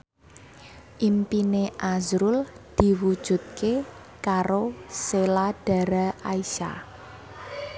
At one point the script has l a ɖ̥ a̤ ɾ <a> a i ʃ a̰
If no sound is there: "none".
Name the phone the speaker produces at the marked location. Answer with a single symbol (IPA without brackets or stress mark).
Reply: a